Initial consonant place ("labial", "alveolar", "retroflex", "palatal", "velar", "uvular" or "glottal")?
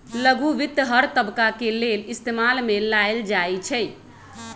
alveolar